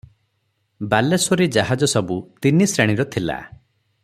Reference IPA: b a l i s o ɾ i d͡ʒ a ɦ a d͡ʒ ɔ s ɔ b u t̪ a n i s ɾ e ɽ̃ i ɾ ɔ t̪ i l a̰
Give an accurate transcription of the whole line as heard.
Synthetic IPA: b a l e s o ɾ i d͡ʒ a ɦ a d͡ʒ ɔ s ɔ b u t̪ i n i s ɾ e ɽ̃ i ɾ ɔ t̪ʰ i l a̰